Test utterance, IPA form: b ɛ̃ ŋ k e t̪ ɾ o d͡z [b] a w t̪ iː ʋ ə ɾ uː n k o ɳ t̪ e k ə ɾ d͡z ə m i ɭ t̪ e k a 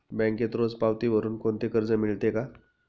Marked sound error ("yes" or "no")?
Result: yes